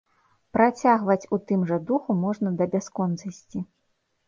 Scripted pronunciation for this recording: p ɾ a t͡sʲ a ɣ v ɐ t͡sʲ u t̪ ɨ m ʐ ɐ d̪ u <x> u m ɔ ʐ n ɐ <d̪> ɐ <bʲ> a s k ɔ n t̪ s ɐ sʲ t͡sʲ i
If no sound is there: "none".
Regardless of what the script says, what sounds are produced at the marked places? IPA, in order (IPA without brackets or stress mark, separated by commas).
x, d̪, bʲ